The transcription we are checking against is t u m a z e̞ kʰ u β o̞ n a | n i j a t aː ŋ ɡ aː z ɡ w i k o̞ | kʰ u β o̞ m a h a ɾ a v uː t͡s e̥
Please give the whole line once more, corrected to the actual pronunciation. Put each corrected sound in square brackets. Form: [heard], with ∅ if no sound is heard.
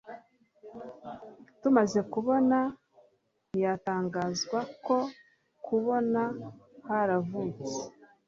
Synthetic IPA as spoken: t u m a z e̞ [k] u β o̞ n a | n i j a t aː ŋ ɡ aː z ɡ w [a] k o̞ | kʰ u β o̞ [n] a h a ɾ a v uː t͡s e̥